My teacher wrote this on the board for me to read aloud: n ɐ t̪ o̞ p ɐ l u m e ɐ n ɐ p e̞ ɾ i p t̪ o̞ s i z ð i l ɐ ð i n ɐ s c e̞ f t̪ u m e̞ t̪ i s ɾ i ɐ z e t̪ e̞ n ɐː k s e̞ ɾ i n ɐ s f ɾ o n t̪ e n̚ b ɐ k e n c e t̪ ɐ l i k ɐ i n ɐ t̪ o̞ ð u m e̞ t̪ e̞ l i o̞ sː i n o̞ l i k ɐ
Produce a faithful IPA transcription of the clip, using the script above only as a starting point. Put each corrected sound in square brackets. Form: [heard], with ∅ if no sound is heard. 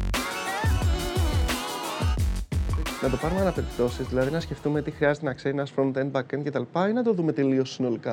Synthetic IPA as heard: n ɐ t̪ o̞ p ɐ [ɾ] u m e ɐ n ɐ p e̞ ɾ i p t̪ o̞ s i z ð i l ɐ ð i n ɐ s c e̞ f t̪ u m e̞ t̪ i [x] ɾ i ɐ z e t̪ e̞ n [ɐ] k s e̞ ɾ i n ɐ s f ɾ o n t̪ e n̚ b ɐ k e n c e t̪ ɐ l i [p] ɐ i n ɐ t̪ o̞ ð u m e̞ t̪ e̞ l i o̞ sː i n o̞ l i k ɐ